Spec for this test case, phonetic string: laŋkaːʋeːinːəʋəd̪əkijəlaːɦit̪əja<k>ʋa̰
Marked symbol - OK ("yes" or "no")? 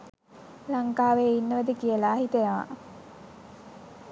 no